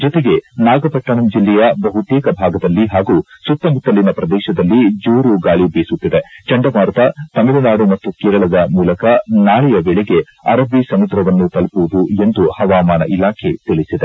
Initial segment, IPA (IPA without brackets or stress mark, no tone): d͡ʒ